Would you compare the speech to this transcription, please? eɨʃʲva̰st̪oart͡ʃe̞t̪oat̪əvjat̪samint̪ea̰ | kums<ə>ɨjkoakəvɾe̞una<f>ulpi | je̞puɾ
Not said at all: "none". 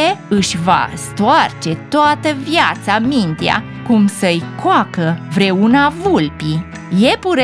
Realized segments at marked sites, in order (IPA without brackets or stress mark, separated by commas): ə, v